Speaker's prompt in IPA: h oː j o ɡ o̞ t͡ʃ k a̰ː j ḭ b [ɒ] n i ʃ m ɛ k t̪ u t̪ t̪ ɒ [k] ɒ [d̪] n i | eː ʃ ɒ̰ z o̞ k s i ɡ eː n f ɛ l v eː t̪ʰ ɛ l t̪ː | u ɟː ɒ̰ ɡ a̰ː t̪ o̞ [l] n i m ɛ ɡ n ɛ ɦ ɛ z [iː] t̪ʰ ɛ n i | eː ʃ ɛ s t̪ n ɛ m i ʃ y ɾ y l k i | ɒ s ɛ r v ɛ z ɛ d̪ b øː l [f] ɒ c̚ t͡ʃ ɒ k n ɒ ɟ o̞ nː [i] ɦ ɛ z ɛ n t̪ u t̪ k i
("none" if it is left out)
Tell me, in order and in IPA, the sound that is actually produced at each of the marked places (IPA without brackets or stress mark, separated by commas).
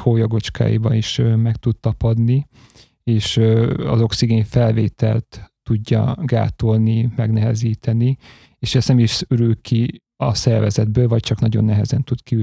ɒ, p, d̪, l, iː, v, ɛ